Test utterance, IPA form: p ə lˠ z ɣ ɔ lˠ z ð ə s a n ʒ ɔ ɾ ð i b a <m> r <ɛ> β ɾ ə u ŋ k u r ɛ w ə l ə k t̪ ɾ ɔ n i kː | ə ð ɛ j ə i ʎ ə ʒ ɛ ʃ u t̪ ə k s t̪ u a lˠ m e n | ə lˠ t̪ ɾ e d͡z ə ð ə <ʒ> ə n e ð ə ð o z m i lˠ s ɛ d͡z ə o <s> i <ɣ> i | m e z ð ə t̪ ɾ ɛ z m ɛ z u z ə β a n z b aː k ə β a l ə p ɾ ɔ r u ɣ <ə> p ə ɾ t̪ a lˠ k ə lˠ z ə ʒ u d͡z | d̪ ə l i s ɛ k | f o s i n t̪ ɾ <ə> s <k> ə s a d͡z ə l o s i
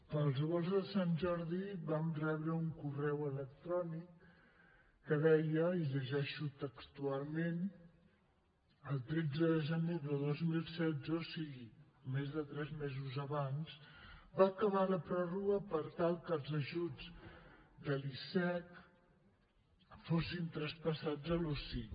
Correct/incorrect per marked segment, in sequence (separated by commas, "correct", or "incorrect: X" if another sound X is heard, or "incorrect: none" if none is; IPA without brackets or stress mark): correct, correct, correct, correct, correct, correct, correct, incorrect: p